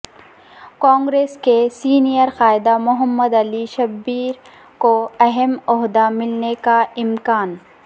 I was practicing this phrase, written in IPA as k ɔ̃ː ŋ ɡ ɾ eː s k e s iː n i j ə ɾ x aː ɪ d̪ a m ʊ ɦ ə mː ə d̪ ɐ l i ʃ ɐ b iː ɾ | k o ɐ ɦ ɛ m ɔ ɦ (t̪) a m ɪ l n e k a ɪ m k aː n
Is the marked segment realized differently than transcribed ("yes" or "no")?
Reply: yes